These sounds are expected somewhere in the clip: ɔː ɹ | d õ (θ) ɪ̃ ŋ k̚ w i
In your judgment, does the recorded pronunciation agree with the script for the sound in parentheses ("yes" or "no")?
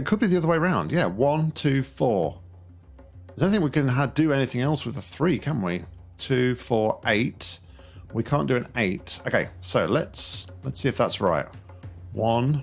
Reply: yes